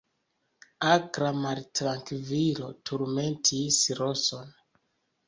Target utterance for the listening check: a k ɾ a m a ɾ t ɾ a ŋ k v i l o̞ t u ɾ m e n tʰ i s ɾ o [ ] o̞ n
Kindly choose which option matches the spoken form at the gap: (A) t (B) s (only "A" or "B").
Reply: B